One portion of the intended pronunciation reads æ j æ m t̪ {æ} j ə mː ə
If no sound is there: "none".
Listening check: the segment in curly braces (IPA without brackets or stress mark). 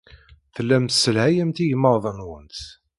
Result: i